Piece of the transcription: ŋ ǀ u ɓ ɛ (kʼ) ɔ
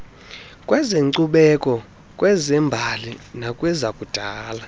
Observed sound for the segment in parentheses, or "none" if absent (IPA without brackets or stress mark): kʼ